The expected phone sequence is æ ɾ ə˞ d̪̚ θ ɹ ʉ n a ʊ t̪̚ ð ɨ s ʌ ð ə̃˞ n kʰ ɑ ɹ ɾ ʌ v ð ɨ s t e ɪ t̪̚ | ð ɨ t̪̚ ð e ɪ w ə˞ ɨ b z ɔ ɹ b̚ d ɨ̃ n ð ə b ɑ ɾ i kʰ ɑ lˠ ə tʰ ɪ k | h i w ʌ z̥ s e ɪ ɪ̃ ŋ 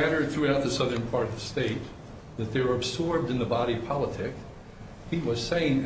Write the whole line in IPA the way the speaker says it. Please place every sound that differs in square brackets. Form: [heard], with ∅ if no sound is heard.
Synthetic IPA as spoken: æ ɾ ə˞ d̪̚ θ ɹ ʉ [∅] a ʊ t̪̚ ð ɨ s ʌ ð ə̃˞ n [pʰ] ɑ ɹ ɾ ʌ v ð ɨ s t e ɪ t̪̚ | ð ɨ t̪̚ ð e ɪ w ə˞ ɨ b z ɔ ɹ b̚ d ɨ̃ n ð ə b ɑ ɾ i [pʰ] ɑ lˠ ə tʰ ɪ k | h i w ʌ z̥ s e ɪ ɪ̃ ŋ